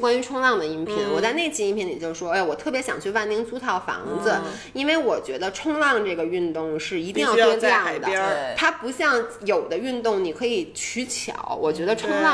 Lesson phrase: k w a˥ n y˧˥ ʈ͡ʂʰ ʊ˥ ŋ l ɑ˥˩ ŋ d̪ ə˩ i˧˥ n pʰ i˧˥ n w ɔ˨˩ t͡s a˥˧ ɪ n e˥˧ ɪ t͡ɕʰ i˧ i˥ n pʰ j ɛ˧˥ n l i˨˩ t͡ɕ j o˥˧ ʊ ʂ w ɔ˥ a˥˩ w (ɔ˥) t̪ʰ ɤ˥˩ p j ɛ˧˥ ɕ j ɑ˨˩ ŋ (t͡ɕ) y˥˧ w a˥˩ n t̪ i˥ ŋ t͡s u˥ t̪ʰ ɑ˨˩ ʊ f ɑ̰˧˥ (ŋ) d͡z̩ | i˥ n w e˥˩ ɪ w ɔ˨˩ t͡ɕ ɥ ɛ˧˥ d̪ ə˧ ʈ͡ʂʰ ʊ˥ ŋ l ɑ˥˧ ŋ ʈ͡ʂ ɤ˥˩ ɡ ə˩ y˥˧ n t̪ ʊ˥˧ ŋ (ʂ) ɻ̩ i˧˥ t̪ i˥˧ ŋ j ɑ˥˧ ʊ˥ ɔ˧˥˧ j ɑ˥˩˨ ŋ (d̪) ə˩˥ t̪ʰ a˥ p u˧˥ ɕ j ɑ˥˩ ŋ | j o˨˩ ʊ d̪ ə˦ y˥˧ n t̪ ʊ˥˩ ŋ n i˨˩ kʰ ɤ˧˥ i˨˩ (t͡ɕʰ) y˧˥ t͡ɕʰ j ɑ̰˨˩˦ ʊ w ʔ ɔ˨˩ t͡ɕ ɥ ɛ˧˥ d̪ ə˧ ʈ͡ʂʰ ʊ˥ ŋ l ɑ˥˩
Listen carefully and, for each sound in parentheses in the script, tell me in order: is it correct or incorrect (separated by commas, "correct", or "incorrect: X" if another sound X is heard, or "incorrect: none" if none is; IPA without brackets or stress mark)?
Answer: incorrect: ɔ˨˩, incorrect: t͡ɕʰ, correct, correct, correct, correct